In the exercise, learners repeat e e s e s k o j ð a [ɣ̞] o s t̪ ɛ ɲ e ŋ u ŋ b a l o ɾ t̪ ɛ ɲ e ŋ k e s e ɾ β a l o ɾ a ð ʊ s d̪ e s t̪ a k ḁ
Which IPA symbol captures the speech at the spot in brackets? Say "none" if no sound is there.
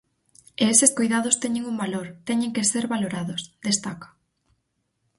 ð̞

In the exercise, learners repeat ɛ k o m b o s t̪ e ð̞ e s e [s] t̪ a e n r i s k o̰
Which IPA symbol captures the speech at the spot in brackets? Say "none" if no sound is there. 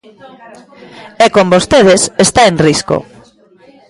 s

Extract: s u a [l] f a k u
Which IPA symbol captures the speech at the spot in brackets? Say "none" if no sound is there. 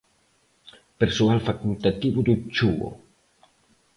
l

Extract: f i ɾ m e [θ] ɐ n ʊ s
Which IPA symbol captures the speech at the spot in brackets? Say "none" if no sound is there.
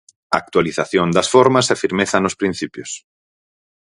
θ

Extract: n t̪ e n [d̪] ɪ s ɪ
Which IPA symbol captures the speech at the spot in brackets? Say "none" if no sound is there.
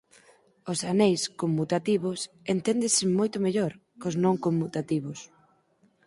d̪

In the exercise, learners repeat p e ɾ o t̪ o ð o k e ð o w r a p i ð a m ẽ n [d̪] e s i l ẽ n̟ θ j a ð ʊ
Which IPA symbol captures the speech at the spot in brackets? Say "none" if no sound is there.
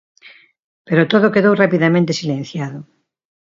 t̪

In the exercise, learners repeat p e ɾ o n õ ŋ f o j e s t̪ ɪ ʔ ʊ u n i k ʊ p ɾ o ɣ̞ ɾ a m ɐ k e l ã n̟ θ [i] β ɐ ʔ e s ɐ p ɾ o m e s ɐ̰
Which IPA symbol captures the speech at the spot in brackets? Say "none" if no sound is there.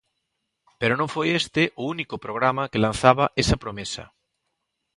a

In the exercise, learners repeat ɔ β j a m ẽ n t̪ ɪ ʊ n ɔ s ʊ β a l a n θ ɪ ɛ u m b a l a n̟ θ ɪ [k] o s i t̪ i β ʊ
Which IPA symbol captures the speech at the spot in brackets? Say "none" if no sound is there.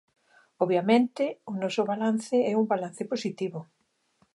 p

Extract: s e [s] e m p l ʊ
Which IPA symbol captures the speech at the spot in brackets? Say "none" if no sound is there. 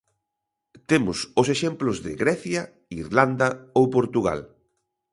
ʃ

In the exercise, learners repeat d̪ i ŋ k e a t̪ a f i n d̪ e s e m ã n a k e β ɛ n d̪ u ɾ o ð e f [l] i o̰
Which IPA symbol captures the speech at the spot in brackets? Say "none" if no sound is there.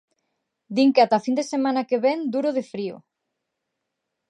ɾ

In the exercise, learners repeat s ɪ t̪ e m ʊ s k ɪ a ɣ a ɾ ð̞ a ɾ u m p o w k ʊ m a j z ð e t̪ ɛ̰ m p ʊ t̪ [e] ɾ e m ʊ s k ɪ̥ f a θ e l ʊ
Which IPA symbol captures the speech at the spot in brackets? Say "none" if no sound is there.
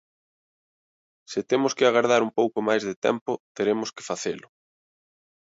e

